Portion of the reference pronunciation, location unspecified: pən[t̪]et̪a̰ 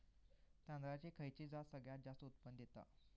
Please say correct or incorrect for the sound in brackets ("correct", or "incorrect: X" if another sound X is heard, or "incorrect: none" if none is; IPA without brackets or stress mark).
incorrect: d̪